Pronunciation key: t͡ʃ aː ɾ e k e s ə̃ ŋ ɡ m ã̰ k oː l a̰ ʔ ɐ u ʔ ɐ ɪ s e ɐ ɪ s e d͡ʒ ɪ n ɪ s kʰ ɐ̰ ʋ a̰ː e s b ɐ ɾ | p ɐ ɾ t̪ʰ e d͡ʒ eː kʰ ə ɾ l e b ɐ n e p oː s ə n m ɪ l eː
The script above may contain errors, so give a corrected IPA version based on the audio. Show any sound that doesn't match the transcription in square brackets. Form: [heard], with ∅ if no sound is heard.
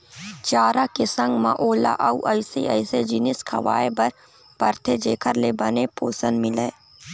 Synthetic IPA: t͡ʃ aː ɾ [a] k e s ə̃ ŋ ɡ m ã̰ [ʔ] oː l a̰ ʔ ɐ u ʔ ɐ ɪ s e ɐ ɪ s e d͡ʒ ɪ n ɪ s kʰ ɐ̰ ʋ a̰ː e [∅] b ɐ ɾ | p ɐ ɾ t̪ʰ e d͡ʒ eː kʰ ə ɾ l e b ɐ n e p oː s ə n m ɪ l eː